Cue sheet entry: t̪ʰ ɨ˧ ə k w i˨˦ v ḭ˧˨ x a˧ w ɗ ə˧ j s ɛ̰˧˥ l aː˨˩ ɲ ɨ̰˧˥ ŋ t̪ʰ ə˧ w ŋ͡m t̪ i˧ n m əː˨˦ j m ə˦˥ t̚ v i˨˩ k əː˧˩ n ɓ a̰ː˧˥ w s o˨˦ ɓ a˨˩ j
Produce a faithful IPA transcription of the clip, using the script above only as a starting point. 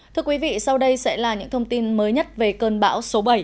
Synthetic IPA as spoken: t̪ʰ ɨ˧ ə k w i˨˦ v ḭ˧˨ s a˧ w ɗ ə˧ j s ɛ̰˧˥ l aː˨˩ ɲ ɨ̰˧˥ ŋ t̪ʰ ə˧ w ŋ͡m t̪ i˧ n m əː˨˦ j ɲ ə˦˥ t̚ v e˨˩ k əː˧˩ n ɓ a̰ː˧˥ w s o˨˦ ɓ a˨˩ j